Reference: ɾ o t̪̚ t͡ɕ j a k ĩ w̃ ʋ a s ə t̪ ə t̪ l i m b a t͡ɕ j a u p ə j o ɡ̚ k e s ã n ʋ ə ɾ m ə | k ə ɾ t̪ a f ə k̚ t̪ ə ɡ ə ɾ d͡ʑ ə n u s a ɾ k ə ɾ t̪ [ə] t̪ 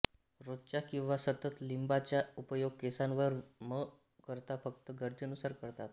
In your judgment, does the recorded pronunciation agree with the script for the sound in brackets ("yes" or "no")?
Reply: no